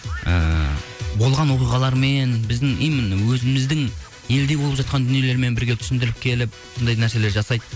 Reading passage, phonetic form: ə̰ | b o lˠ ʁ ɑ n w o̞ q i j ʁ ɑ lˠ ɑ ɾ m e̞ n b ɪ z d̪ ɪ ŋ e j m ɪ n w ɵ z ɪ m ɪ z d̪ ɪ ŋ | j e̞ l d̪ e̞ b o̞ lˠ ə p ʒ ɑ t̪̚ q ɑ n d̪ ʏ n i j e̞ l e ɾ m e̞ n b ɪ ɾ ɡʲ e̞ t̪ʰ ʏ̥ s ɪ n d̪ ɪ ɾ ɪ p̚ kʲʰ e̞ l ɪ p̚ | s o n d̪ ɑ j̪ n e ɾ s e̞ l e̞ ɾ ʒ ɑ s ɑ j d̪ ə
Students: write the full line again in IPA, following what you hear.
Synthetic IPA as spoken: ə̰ | b o lˠ ʁ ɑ n w o̞ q i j ʁ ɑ lˠ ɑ ɾ m e̞ n b ɪ z d̪ ɪ ŋ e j m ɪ n w ɵ z ɪ m ɪ z d̪ ɪ ŋ | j e̞ l d̪ e̞ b o̞ lˠ ə p ʒ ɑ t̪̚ q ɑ n d̪ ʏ n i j e̞ l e ɾ m e̞ n b ɪ ɾ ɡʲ e̞ t̪ʰ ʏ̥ s ɪ n d̪ ɪ ɾ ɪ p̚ kʲʰ e̞ l ɪ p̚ | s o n d̪ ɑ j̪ n æ ɾ s e̞ l e̞ ɾ ʒ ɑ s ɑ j d̪ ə